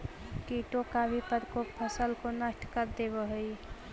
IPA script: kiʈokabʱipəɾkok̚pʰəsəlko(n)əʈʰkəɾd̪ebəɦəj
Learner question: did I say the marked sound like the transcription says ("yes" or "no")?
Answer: yes